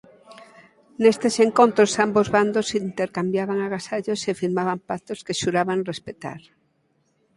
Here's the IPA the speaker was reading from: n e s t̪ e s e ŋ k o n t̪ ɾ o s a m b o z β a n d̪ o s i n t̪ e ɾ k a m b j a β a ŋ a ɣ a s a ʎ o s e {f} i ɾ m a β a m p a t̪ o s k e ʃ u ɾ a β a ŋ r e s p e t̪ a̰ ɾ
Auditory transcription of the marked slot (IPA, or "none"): f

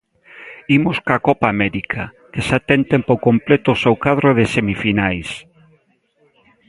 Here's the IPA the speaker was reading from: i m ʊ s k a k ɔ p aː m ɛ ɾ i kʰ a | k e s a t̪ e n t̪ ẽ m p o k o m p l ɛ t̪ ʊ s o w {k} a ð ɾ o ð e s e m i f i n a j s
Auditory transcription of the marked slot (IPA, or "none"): k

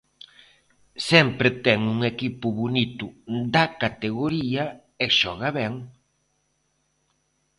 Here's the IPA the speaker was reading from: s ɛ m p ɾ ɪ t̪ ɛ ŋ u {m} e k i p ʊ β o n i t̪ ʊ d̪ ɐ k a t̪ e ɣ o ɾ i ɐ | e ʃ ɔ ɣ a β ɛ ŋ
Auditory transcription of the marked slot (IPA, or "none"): ŋ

